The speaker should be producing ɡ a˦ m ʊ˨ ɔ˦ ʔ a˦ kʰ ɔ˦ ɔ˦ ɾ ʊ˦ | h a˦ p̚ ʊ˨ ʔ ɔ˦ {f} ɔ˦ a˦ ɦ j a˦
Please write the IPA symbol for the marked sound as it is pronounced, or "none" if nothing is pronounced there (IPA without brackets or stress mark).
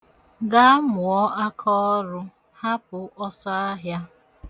s